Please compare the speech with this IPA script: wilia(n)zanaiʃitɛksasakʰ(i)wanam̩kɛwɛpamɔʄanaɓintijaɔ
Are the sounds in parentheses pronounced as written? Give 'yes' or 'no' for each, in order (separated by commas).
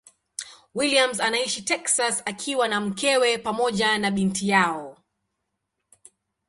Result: no, yes